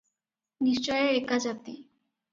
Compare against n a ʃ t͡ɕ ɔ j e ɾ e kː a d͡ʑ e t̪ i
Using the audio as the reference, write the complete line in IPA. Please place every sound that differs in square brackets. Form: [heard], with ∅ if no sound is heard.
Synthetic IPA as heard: n [i] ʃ t͡ɕ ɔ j e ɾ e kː a d͡ʑ [a] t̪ i